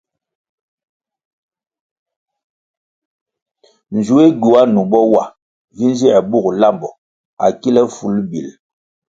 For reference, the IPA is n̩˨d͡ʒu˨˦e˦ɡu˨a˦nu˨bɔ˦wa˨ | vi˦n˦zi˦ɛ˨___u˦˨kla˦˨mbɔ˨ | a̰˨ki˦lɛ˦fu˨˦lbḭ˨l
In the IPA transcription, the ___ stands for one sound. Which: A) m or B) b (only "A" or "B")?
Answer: B